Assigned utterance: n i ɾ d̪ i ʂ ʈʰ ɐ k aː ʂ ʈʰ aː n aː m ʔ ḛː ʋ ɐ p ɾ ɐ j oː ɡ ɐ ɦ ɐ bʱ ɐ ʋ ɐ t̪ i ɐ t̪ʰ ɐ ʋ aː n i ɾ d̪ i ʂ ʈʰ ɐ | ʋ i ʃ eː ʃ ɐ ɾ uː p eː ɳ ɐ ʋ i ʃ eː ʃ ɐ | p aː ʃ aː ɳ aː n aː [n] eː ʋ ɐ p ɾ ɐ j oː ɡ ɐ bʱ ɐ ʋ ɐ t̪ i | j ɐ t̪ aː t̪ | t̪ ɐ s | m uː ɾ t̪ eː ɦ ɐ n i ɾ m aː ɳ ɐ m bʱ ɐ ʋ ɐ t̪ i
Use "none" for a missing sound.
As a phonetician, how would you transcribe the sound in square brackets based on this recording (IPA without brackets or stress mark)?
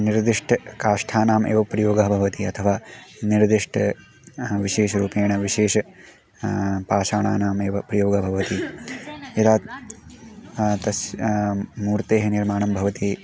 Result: m